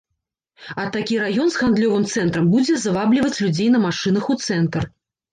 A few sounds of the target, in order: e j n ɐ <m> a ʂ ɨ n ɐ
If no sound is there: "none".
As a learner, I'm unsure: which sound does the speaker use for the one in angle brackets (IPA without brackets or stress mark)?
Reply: m